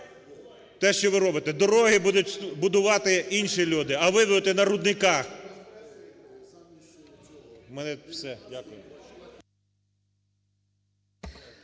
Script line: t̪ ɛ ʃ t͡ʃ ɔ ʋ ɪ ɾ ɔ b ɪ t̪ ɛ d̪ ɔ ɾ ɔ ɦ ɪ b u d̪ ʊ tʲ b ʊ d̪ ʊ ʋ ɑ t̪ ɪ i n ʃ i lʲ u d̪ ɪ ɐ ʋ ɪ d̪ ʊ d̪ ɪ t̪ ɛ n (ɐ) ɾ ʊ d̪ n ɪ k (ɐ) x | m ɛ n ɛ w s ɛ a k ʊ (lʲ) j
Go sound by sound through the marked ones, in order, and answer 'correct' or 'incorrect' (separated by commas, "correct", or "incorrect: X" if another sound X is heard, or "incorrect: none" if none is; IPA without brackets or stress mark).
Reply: correct, incorrect: ɑ, incorrect: none